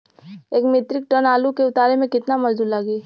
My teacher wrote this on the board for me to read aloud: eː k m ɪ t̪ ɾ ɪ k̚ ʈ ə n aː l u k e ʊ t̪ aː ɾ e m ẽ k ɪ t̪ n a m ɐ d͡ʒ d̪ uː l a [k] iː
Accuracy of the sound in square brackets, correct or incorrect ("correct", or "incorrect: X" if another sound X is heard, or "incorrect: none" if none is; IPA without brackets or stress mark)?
incorrect: ɡ